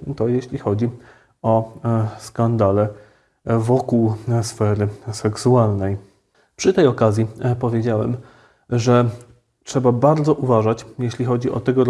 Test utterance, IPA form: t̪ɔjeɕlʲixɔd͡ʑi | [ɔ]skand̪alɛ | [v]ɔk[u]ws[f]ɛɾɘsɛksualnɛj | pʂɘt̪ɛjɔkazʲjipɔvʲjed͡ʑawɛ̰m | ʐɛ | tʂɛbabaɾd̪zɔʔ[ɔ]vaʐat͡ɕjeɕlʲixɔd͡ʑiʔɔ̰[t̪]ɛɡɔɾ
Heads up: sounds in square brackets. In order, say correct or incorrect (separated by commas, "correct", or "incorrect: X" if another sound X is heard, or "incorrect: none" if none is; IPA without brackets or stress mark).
correct, correct, correct, correct, incorrect: u, correct